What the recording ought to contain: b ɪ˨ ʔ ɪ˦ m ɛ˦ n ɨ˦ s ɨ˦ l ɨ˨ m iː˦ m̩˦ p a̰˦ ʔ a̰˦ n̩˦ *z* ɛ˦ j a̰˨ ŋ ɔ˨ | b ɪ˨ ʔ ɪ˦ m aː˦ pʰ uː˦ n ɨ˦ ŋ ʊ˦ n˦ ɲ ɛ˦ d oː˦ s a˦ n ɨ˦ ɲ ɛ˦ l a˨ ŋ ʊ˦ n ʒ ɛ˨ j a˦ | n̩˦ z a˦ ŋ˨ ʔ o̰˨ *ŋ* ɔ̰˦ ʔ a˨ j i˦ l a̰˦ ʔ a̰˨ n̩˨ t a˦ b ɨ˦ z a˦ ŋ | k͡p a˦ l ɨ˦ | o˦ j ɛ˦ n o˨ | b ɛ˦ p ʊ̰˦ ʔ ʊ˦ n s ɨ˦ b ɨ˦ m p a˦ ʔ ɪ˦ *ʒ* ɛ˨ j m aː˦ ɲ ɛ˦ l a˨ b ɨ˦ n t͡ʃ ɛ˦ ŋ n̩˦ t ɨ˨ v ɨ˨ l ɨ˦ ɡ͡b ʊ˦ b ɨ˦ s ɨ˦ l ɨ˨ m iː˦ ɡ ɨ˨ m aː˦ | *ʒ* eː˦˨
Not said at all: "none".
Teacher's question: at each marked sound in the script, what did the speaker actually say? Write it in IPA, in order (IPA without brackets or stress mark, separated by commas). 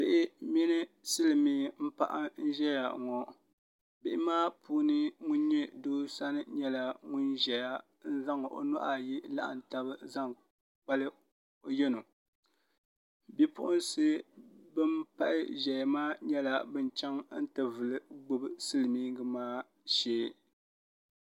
ʒ, n, ʒ, ʃ